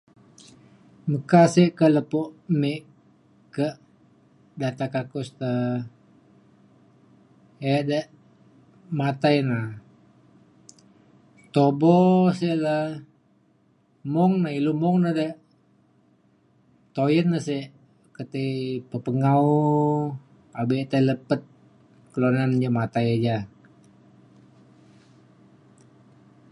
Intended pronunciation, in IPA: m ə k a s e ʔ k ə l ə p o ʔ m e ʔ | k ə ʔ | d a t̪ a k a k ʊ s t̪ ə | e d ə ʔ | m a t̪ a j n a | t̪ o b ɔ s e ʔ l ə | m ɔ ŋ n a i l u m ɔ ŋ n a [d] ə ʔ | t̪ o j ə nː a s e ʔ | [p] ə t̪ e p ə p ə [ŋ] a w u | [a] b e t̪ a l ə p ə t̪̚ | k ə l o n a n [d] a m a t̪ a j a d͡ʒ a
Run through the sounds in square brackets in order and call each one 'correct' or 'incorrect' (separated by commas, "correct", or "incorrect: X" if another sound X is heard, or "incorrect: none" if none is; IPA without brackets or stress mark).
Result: correct, incorrect: k, correct, correct, incorrect: d͡ʒ